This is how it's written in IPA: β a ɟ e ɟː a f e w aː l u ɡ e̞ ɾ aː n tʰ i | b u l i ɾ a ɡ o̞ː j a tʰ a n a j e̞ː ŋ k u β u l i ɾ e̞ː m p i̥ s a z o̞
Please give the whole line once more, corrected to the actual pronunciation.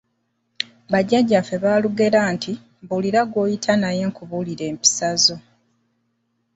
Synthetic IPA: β a ɟ a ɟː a f e β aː l u ɡ e̞ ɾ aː n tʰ i | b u l i ɾ a ɡ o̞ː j i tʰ a n a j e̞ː ŋ k u β u l i ɾ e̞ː m p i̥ s a z o̞